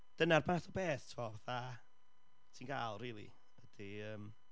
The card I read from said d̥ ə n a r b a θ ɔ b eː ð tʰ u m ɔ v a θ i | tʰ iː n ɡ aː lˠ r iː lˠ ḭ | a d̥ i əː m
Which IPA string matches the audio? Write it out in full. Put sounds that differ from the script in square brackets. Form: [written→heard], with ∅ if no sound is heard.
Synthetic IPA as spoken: d̥ ə n a r b a θ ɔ b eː [ð→θ] tʰ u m ɔ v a θ [i→a] | tʰ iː n ɡ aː lˠ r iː lˠ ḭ | [a→ə] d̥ i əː m